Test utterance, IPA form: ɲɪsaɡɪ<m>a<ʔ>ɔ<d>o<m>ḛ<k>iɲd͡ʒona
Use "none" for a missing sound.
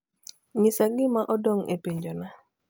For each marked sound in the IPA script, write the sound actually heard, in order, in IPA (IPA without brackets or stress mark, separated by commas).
m, ʔ, d, ŋ, p